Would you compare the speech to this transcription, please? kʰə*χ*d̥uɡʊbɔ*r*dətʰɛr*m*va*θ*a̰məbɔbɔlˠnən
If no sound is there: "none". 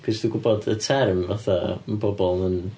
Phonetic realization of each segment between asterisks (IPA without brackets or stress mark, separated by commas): s, none, m, θ